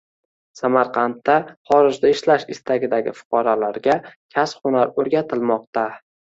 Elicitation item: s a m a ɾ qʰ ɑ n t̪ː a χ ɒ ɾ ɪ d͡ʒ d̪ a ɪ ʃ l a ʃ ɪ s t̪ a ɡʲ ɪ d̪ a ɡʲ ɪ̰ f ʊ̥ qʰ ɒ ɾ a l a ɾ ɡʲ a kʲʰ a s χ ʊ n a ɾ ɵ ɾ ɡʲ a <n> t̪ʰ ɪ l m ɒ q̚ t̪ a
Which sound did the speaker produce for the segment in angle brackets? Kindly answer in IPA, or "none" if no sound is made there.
none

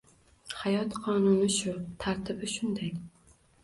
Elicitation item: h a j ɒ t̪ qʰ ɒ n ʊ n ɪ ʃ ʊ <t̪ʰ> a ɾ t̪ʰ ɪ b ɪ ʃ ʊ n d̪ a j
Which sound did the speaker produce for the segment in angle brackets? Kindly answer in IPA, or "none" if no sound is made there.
t̪ʰ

